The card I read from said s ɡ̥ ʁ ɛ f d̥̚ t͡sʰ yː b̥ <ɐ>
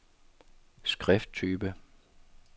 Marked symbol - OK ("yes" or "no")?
no